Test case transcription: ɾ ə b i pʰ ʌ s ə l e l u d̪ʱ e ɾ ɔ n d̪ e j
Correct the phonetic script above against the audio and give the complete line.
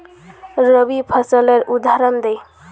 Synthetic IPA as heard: ɾ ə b i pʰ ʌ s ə l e ɾ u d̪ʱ a ɾ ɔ n d̪ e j